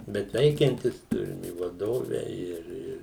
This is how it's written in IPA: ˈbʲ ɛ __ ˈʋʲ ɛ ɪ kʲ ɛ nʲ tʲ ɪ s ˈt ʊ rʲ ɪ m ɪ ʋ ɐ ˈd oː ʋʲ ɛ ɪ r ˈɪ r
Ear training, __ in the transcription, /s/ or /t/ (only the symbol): t